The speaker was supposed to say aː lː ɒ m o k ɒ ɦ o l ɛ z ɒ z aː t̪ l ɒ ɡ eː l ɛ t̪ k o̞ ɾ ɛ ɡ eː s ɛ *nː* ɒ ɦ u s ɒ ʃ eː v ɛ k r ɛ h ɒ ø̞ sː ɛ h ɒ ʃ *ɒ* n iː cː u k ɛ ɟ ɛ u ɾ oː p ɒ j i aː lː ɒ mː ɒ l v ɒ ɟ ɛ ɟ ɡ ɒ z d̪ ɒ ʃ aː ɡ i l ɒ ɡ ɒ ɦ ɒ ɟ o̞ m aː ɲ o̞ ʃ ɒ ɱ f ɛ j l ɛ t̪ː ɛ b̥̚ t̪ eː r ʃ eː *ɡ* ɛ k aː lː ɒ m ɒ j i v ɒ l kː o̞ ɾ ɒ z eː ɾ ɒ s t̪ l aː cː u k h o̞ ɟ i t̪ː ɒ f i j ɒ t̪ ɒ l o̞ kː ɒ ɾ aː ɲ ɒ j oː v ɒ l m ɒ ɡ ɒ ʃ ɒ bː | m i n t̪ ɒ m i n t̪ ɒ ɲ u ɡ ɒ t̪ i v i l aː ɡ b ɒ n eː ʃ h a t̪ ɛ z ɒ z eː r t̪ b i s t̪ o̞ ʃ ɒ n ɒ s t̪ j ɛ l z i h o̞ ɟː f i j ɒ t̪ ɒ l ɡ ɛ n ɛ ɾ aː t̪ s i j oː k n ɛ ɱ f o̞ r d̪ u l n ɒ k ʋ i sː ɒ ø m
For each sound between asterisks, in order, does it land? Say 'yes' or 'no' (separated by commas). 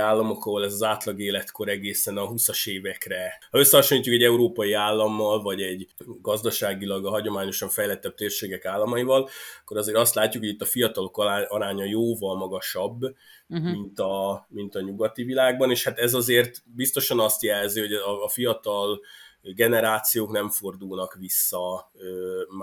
no, no, yes